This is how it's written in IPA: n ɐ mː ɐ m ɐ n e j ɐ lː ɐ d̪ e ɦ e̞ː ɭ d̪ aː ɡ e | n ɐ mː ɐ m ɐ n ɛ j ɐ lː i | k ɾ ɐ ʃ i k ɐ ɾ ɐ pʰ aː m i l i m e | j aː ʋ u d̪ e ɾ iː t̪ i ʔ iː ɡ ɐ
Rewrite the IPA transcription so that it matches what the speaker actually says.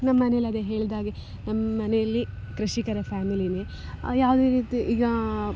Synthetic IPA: n ɐ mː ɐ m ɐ n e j ɐ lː ɐ d̪ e ɦ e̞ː ɭ d̪ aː ɡ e | n ɐ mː ɐ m ɐ n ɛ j ɐ lː i | k ɾ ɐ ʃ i k ɐ ɾ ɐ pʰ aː m i l i n e | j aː ʋ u d̪ e ɾ iː t̪ i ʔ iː ɡ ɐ